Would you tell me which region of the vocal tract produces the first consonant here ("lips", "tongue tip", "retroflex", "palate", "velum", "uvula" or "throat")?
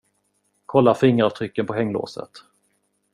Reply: velum